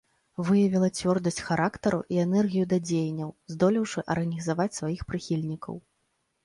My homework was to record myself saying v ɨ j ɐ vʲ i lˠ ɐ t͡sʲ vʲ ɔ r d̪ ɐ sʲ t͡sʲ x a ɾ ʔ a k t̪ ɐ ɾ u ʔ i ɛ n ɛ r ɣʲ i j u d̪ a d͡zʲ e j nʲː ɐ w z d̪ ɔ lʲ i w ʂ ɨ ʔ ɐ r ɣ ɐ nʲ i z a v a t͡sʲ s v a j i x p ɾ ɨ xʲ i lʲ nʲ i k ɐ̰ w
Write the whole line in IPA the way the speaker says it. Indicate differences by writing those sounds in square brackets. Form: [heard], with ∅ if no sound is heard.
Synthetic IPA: v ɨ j ɐ vʲ i lˠ ɐ t͡sʲ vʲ ɔ r d̪ ɐ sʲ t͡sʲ x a ɾ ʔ a k t̪ ɐ ɾ u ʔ i ɛ n ɛ r ɣʲ i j u d̪ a d͡zʲ e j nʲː ɐ w z d̪ ɔ lʲ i w ʂ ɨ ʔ ɐ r ɣ ɐ nʲ i z a v a t͡sʲ s v a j i x p ɾ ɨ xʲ i lʲ nʲ i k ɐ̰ w